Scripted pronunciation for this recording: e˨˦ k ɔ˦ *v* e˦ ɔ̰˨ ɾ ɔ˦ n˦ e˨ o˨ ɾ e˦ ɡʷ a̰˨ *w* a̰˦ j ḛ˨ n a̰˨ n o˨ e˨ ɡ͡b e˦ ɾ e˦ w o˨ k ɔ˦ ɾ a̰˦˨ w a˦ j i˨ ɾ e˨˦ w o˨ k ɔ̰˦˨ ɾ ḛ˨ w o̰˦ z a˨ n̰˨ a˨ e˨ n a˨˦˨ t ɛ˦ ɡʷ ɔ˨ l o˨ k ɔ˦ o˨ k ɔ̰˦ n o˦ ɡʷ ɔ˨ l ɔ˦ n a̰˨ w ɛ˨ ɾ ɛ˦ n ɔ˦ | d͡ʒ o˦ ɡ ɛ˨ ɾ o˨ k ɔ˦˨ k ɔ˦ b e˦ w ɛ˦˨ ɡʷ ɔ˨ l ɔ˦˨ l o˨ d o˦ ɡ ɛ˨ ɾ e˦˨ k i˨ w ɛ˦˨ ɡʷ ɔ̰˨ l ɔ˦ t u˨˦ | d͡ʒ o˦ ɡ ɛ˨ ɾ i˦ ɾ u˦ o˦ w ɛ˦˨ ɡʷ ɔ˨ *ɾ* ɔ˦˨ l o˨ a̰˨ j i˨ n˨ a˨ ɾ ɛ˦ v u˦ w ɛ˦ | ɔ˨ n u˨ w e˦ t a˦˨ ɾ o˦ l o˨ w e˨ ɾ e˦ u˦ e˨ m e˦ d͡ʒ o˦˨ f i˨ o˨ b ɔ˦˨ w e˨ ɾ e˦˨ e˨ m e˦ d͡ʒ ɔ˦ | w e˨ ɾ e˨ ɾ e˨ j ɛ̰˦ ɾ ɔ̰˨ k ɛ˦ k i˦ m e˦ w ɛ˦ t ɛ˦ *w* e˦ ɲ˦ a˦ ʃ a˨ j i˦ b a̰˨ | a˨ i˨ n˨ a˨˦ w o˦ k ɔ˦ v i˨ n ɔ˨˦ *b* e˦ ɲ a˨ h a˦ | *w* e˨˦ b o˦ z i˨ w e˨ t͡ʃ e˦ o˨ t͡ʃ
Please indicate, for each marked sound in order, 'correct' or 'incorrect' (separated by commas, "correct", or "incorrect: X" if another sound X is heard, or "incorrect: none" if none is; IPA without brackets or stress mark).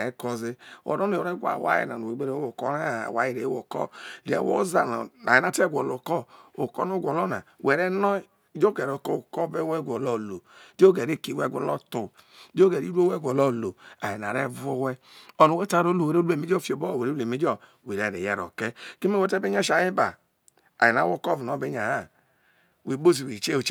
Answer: incorrect: z, correct, incorrect: l, incorrect: b, correct, correct